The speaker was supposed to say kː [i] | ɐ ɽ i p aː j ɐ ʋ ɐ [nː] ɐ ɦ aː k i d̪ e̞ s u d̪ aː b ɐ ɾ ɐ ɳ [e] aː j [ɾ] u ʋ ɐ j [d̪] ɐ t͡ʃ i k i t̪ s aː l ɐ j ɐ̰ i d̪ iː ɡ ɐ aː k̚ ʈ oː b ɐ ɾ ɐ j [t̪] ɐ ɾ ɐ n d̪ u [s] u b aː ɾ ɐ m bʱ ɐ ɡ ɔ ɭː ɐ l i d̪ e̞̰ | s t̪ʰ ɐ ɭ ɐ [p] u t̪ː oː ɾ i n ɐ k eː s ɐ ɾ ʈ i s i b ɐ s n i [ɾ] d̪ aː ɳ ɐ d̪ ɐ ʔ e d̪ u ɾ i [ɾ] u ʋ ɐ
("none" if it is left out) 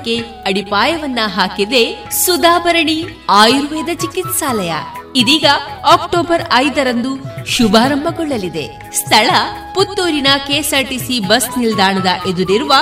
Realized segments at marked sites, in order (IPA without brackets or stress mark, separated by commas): e, nː, i, ɾ, d̪, d̪, ʃ, p, l, ɾ